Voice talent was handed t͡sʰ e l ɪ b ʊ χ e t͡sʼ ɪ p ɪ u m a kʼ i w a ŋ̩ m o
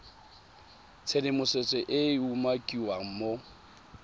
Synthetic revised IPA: t͡sʰ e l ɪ m ʊ s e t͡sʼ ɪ ʔ ɪ u m a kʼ i w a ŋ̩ m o